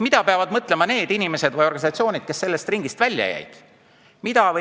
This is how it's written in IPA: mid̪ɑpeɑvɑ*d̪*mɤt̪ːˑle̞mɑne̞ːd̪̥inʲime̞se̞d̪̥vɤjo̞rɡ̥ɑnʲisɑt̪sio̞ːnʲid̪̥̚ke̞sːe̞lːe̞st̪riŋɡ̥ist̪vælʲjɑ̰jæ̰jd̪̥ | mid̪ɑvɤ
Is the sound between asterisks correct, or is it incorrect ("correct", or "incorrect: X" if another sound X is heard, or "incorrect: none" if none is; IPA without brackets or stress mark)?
correct